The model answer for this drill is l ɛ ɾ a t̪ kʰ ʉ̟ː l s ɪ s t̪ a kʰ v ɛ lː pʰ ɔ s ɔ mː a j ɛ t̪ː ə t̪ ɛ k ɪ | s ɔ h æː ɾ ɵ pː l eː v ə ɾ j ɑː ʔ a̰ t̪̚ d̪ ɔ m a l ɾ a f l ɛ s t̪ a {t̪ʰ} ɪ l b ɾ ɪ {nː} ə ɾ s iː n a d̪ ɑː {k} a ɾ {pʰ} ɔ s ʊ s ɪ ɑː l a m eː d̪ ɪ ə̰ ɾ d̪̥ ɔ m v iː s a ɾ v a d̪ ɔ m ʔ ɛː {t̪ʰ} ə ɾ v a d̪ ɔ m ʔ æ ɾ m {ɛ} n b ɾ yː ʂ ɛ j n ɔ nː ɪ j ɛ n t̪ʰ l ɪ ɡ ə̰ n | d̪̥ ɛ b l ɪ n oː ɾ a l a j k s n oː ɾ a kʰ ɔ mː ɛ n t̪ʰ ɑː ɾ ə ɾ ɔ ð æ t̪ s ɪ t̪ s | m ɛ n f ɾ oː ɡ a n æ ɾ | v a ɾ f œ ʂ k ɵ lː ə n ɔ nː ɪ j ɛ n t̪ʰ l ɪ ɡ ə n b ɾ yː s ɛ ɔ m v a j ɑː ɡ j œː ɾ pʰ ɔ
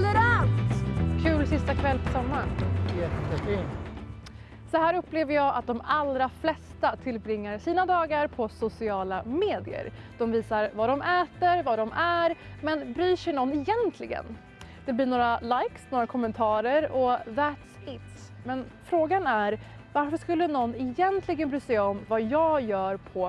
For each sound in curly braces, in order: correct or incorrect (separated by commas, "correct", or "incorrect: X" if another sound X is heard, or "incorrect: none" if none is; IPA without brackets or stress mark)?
correct, incorrect: ŋː, incorrect: ɡ, correct, incorrect: t̪, correct